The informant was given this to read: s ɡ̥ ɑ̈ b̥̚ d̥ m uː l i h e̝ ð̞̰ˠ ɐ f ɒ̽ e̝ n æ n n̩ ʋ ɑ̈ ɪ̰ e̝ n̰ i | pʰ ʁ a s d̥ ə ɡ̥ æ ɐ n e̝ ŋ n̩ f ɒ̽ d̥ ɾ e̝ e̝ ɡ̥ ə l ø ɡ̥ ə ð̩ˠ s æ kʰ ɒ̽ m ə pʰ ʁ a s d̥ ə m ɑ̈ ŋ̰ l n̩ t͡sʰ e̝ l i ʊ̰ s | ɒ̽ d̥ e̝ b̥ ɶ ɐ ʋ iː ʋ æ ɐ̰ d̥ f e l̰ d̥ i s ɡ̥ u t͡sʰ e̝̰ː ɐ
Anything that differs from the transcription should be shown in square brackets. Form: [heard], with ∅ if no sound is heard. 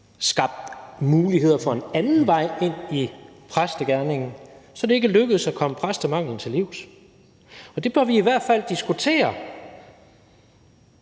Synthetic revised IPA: s ɡ̥ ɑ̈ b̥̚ d̥ m uː l i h e̝ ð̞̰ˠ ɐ f ɒ̽ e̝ n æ n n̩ ʋ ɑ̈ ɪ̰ e̝ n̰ i | pʰ ʁ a s d̥ ə ɡ̥ æ ɐ n e̝ ŋ n̩ [s] ɒ̽ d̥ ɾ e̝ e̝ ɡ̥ ə l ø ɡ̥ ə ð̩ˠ s æ kʰ ɒ̽ m ə pʰ ʁ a s d̥ ə m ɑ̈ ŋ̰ l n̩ t͡sʰ e̝ l i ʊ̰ s | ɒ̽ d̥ e̝ b̥ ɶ ɐ ʋ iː ʋ æ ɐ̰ d̥ f [æ] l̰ d̥ i s ɡ̥ u t͡sʰ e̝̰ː ɐ